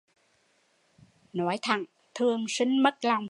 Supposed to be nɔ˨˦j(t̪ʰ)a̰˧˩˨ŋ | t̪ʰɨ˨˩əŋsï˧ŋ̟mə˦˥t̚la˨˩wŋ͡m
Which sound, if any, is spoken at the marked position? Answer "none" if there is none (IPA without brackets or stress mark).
t̪ʰ